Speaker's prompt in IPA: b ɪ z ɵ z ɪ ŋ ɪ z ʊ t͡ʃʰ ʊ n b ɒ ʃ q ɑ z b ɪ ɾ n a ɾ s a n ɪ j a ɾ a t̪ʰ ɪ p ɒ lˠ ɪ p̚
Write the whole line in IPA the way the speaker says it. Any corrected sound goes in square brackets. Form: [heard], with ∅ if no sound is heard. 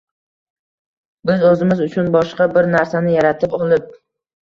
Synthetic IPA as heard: b ɪ z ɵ z ɪ [m] ɪ z ʊ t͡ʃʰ ʊ n b ɒ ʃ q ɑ [∅] b ɪ ɾ n a ɾ s a n ɪ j a ɾ a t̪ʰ ɪ p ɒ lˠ ɪ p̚